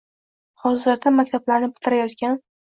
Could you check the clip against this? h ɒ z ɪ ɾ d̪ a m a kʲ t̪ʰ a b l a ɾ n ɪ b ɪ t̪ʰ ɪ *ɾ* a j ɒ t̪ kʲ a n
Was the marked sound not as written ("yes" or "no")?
no